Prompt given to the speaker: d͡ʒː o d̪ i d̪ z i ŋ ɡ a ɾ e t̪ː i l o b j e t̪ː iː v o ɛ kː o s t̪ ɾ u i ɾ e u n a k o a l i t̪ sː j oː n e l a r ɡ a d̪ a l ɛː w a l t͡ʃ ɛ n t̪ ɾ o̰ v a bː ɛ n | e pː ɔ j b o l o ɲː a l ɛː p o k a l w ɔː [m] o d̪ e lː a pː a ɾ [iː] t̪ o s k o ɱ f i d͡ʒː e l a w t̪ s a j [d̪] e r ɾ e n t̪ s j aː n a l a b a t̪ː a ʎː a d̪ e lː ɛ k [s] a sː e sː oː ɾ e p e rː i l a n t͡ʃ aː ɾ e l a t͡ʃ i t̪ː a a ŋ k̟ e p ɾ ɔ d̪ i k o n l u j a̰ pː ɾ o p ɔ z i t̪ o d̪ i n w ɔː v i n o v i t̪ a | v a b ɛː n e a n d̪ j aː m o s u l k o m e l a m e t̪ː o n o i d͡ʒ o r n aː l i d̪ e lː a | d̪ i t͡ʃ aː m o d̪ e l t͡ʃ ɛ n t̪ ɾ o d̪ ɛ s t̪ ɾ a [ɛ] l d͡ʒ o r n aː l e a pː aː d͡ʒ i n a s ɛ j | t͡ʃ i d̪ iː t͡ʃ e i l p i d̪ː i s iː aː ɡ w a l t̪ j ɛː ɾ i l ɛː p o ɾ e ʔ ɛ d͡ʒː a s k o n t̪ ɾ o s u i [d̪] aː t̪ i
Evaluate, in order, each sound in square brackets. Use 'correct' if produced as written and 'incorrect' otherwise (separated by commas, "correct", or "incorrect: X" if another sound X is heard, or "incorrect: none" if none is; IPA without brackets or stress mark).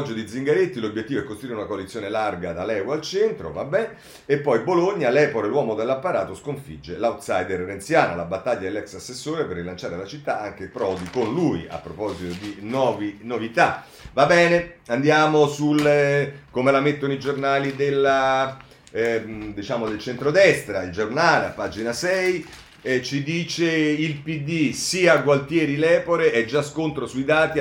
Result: correct, incorrect: aː, correct, correct, incorrect: i, correct